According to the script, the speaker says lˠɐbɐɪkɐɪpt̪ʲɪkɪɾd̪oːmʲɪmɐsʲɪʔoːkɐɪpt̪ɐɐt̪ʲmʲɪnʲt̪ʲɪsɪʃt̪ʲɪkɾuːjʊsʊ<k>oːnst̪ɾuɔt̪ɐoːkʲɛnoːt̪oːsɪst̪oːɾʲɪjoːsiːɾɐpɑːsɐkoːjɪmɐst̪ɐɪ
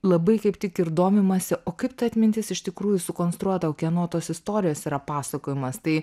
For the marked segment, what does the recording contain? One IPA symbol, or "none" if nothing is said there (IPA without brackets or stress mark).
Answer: k